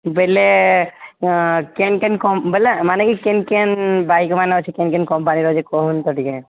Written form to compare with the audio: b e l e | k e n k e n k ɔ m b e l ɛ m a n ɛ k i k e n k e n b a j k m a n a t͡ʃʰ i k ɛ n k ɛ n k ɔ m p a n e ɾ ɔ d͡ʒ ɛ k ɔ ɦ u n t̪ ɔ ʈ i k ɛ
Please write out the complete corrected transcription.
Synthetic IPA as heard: b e l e | k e n k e n k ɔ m b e l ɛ m a n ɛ k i k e n k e n b a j k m a n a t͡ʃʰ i k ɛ n k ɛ n k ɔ m p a n i ɾ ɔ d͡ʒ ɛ k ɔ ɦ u n t̪ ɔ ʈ i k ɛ